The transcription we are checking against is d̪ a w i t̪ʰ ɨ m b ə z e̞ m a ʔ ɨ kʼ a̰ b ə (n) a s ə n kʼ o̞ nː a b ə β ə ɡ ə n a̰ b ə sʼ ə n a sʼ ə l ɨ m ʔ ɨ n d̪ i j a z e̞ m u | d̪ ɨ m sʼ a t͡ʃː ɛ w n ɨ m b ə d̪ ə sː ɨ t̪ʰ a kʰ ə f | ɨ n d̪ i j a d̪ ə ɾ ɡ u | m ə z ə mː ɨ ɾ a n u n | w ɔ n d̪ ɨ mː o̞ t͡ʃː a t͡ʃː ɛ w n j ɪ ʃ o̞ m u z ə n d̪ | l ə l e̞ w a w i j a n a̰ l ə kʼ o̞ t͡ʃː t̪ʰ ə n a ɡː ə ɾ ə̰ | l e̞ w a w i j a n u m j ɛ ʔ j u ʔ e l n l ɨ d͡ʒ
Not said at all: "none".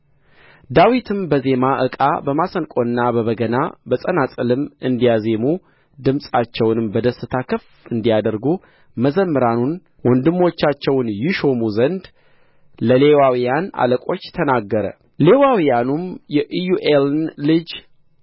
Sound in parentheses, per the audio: m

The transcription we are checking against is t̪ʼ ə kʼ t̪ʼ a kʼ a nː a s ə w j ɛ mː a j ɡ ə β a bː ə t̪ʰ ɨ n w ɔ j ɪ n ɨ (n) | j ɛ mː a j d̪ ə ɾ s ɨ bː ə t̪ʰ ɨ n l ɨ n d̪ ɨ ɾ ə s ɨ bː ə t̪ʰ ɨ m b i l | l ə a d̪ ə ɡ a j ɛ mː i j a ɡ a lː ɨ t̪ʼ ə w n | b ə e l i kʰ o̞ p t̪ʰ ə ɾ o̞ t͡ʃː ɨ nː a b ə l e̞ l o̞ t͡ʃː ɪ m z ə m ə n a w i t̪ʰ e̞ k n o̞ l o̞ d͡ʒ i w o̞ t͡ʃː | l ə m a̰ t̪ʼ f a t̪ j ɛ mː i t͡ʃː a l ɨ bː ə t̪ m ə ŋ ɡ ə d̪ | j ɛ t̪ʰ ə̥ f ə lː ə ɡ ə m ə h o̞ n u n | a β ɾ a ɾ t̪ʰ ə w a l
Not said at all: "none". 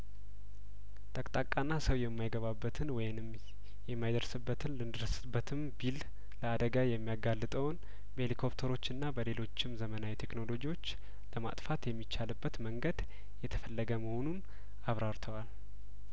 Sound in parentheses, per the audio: m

